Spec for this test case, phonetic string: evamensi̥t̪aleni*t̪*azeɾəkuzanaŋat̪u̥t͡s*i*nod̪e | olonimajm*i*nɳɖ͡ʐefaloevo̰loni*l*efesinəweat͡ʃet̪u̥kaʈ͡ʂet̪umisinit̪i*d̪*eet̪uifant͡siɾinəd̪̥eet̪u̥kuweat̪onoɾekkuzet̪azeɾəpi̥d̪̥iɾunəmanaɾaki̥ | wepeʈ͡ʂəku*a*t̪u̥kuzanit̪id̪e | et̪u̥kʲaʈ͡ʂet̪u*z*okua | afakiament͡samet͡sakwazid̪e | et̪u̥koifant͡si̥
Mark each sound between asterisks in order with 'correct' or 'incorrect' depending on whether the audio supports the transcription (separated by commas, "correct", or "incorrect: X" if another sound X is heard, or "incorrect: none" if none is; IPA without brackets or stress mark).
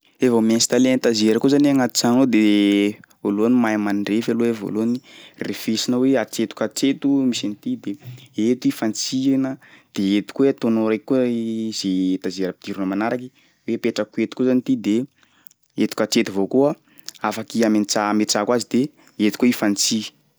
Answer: correct, incorrect: a, incorrect: a, incorrect: r, correct, incorrect: e, incorrect: v